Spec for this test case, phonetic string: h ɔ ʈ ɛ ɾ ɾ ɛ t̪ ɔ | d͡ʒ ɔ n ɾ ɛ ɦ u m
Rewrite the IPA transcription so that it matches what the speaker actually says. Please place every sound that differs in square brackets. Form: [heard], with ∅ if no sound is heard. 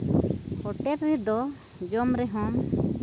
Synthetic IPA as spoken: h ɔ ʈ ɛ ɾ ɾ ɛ [d̪] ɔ | d͡ʒ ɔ [m] ɾ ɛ ɦ [ɔ] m